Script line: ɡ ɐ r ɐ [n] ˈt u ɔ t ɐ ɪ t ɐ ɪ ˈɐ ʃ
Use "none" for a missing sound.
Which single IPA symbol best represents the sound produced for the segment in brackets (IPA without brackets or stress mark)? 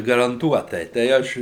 n